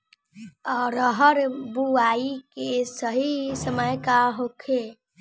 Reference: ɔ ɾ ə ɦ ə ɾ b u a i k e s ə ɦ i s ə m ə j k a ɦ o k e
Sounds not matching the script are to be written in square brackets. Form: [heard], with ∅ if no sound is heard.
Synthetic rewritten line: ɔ ɾ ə ɦ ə ɾ b u a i k e s ə ɦ i s ə m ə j k a ɦ o [kʰ] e